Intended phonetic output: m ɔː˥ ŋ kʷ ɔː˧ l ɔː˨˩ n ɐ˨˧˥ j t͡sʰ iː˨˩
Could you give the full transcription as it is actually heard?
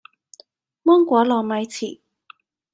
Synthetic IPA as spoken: m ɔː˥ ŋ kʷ ɔː˨˥ l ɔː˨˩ m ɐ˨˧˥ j t͡sʰ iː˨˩